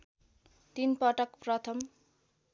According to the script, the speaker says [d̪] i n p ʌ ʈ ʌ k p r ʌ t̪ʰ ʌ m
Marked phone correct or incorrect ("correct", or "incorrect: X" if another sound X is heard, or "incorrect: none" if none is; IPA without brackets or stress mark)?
incorrect: t̪